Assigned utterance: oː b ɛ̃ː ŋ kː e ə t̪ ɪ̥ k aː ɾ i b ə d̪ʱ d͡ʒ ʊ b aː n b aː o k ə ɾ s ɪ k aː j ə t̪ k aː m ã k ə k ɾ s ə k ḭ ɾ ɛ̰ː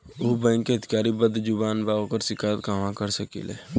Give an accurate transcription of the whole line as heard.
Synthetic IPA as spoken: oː b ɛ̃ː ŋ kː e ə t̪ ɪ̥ k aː ɾ i b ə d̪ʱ d͡ʒ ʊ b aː n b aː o k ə ɾ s ɪ k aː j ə t̪ k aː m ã k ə ɾ s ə k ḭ l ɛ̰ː